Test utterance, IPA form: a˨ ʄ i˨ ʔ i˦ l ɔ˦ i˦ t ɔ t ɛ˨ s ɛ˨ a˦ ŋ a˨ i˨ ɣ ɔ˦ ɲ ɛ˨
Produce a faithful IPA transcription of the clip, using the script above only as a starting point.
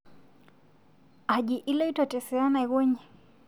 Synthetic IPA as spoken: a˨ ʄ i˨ ʔ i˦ l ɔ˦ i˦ t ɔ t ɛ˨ s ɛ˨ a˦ n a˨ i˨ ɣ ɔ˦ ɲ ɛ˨